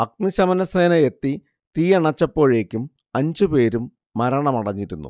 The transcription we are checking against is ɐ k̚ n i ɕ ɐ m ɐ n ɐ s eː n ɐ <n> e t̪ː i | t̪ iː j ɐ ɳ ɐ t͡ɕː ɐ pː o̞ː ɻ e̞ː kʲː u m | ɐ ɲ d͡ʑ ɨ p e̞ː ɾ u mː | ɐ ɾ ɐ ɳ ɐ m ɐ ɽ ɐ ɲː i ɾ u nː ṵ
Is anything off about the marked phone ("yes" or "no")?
yes